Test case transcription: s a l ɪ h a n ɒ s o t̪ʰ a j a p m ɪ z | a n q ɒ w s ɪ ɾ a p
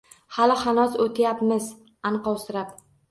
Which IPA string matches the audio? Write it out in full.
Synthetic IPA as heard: h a l ɪ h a n ɒ s o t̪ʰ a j a p m ɪ z | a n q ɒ w s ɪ ɾ a p